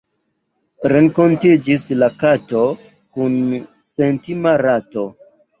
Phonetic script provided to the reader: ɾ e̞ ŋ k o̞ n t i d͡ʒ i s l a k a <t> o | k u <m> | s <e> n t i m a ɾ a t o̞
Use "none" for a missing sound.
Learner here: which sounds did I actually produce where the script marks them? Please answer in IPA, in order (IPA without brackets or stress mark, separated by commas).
t, n, e